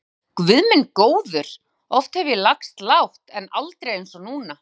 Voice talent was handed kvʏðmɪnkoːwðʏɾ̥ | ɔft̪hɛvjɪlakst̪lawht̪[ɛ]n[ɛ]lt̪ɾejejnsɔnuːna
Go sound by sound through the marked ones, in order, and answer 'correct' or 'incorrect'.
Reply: correct, incorrect

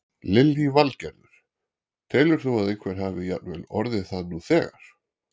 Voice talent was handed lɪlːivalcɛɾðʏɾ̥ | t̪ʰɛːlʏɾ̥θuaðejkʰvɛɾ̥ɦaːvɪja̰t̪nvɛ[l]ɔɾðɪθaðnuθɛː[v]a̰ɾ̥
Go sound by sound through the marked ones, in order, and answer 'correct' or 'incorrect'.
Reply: correct, incorrect

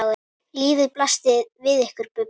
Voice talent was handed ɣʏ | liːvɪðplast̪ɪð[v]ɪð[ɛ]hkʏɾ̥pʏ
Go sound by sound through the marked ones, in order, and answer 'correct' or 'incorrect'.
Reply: correct, correct

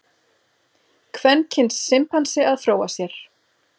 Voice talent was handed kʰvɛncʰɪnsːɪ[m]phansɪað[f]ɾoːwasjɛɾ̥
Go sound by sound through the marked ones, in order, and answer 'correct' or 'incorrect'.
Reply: correct, correct

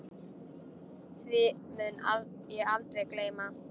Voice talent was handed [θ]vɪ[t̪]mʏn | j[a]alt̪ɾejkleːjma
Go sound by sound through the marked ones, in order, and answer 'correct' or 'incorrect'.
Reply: correct, incorrect, incorrect

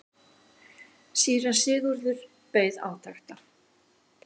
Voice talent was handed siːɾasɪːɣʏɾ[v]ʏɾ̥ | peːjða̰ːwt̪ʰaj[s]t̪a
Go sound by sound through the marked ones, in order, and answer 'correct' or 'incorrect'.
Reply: incorrect, incorrect

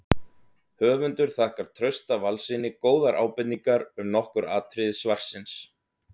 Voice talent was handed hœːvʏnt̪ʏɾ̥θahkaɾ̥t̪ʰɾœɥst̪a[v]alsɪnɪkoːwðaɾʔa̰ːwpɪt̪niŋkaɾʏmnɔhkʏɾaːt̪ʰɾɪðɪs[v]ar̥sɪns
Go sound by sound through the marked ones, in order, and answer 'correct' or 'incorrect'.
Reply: correct, correct

